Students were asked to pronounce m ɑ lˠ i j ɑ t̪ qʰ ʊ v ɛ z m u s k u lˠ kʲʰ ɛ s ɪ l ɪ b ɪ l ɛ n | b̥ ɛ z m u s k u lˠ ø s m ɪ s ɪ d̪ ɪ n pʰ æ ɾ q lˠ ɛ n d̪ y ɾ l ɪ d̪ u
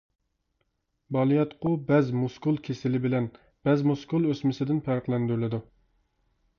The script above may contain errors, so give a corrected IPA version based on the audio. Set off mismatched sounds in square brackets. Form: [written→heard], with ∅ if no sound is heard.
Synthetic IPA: [m→b] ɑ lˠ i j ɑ t̪ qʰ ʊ [v→b] ɛ z m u s k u lˠ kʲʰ [ɛ→e] s ɪ l ɪ b ɪ l ɛ n | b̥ ɛ z m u s k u lˠ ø s m ɪ s ɪ d̪ ɪ n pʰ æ ɾ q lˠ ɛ n d̪ y ɾ l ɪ d̪ u